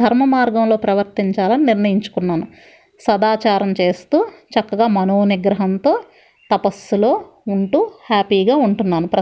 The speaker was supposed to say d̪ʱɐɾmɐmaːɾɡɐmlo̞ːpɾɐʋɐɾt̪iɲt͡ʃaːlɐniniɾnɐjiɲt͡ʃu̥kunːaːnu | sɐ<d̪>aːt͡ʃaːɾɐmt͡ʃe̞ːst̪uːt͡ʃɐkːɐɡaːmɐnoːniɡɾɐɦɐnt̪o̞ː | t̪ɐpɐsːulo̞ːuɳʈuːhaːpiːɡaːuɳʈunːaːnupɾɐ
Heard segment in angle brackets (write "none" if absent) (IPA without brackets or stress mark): d̪